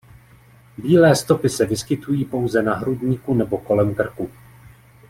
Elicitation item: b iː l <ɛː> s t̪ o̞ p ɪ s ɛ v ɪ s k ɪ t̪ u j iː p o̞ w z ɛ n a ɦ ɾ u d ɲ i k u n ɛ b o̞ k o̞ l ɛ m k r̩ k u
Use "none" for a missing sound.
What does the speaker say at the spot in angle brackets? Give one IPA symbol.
ɛː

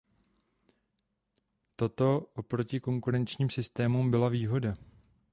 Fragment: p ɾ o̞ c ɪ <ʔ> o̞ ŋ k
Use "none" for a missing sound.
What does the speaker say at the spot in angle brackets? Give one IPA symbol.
k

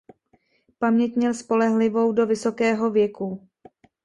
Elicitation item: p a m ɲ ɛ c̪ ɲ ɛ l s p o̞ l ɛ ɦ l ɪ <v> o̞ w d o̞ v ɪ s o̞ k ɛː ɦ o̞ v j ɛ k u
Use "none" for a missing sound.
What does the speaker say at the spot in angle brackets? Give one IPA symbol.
v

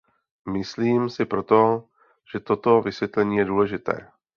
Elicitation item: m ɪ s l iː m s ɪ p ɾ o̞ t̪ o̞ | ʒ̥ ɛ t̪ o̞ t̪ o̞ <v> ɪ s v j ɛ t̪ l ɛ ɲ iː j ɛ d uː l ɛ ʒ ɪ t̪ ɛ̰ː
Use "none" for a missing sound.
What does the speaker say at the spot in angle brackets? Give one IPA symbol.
v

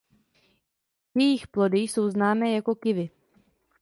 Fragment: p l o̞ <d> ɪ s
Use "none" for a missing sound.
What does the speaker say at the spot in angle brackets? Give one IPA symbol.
d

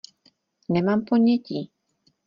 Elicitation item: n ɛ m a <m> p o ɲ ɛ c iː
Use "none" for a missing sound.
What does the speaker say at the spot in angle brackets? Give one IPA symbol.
m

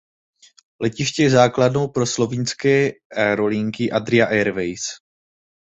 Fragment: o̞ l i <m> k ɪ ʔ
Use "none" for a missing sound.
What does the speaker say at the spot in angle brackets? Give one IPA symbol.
ŋ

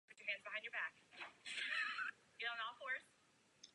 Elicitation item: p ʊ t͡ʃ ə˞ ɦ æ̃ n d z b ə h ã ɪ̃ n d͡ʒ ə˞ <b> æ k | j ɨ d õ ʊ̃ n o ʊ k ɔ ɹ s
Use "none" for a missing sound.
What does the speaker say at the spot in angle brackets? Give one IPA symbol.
b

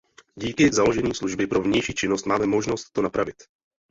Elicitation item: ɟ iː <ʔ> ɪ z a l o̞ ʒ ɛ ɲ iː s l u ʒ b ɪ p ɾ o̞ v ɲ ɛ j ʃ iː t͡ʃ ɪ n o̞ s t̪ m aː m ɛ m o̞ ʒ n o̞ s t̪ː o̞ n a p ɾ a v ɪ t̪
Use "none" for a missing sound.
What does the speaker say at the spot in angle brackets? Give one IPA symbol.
k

